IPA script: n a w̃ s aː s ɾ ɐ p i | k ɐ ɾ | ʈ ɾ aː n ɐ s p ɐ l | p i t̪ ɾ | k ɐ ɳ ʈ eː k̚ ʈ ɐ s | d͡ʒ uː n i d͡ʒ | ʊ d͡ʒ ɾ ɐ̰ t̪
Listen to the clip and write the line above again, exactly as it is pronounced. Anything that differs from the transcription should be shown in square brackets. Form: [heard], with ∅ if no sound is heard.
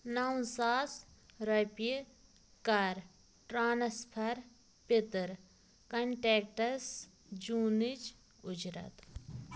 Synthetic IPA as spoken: n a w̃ s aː s ɾ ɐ p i | k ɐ ɾ | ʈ ɾ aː n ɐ s [pʰ] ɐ [ɾ] | p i t̪ ɾ | k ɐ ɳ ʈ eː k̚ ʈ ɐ s | d͡ʒ uː n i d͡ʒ | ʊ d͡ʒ ɾ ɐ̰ t̪

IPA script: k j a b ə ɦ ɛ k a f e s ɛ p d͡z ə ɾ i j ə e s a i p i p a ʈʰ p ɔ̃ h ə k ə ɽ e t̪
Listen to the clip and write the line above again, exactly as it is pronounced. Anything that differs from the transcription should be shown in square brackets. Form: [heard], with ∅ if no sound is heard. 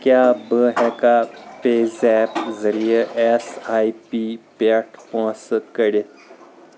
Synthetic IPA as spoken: k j a b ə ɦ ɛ k a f e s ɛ p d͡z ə ɾ i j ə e s a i p i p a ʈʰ p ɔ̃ [s] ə k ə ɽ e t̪

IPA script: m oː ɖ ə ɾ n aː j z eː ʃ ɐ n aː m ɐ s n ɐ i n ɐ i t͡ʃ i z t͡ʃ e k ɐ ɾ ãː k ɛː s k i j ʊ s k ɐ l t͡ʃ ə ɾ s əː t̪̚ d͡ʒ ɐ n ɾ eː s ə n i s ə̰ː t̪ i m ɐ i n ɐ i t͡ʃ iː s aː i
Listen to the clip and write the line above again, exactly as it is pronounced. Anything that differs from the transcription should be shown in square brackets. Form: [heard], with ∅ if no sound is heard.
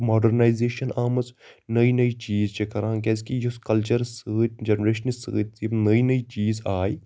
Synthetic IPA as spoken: m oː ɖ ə ɾ n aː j z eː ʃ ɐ n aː m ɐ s n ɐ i n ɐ i t͡ʃ [iː] z t͡ʃ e k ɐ ɾ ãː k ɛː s k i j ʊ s k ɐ l t͡ʃ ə ɾ s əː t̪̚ d͡ʒ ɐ n ɾ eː [ʃ] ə n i s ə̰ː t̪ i [n] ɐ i n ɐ i t͡ʃ iː [z] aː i

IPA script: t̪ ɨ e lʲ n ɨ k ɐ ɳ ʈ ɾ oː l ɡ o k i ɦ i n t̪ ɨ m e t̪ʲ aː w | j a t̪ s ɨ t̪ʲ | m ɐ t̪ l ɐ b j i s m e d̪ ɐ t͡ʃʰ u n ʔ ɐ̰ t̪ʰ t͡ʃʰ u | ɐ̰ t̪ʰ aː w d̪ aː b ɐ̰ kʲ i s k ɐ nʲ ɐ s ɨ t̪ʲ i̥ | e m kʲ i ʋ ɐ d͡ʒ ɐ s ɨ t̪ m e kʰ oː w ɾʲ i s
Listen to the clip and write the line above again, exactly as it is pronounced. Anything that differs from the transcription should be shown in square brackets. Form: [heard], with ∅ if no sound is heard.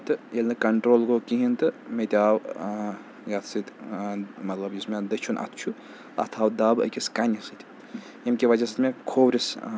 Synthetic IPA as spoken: t̪ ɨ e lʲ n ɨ k ɐ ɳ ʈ ɾ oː l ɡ o k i ɦ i n t̪ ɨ m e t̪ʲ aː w | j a t̪ s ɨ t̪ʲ | m ɐ t̪ l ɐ b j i s m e d̪ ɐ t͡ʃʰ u n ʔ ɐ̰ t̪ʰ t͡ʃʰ u | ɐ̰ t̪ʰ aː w d̪ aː b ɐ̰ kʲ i s k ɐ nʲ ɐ s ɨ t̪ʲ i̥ | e m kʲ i ʋ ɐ d͡ʒ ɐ s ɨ t̪ m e kʰ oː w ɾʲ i s

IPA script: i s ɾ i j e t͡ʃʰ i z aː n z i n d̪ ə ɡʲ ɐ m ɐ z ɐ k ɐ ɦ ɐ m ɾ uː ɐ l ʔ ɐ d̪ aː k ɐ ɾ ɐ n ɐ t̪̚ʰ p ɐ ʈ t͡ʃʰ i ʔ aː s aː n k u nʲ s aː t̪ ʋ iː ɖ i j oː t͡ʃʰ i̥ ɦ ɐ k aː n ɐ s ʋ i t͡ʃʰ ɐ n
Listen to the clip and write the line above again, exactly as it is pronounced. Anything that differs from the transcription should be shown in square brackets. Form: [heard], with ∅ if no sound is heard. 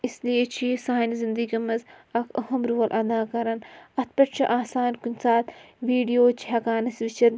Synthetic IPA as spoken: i s [l] i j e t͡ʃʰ i [s] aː n z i n d̪ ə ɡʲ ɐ m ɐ z ɐ k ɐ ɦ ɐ m ɾ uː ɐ l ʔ ɐ d̪ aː k ɐ ɾ ɐ n ɐ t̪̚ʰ p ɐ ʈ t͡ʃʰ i ʔ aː s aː n k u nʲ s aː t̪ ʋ iː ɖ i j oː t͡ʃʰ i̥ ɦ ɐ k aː n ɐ s ʋ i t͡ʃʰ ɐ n

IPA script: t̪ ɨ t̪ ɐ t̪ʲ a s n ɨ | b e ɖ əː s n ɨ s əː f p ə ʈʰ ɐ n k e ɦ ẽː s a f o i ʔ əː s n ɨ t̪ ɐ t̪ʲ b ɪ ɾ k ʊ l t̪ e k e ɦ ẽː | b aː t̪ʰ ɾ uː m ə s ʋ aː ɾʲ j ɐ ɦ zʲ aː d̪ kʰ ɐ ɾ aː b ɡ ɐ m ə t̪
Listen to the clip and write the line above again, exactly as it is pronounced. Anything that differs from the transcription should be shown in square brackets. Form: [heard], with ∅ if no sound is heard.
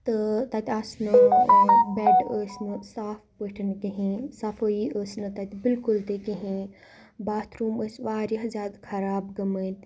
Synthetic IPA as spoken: t̪ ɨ t̪ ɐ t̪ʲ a s n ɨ | b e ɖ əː s n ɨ s [aː] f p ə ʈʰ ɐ n k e ɦ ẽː s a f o i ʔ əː s n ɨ t̪ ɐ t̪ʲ b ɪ [l] k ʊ l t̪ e k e ɦ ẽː | b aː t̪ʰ ɾ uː m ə s ʋ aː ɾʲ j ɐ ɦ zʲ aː d̪ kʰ ɐ ɾ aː b ɡ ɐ m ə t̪

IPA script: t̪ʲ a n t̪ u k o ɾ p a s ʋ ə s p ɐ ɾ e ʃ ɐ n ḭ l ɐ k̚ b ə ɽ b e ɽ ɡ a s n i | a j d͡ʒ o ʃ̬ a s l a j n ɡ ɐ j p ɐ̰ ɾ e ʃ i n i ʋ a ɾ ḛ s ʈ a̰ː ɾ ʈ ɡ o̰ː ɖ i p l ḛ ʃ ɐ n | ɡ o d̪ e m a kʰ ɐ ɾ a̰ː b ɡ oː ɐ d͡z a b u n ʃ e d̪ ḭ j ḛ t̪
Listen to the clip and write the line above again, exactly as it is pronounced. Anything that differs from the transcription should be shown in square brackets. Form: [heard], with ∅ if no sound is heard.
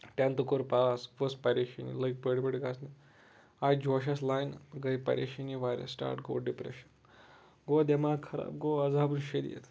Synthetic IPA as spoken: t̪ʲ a n t̪ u k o ɾ p a s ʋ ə s p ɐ ɾ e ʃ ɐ n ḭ l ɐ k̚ b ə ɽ b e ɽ ɡ a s n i | a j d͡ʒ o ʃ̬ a s l a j n ɡ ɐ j p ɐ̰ ɾ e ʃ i n i ʋ a ɾ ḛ s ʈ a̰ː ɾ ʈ ɡ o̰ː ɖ i p [ɾ] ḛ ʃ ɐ n | ɡ o d̪ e m a kʰ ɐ ɾ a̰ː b ɡ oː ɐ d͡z a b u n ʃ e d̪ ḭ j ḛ t̪

